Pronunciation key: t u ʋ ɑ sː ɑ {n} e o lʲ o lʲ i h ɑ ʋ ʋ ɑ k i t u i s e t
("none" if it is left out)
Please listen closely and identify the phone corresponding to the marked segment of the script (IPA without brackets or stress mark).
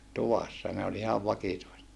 n